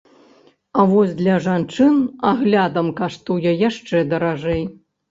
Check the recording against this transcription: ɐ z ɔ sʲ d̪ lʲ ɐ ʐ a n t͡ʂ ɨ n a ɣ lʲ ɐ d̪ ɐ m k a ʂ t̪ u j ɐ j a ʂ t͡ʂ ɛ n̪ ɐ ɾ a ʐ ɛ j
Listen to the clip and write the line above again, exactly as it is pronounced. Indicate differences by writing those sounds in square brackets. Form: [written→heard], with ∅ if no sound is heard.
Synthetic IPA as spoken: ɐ [z→v] ɔ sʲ d̪ lʲ ɐ ʐ a n t͡ʂ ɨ n a ɣ lʲ [ɐ→a] d̪ ɐ m k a ʂ t̪ u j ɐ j a ʂ t͡ʂ ɛ [n̪→d̪] ɐ ɾ a ʐ ɛ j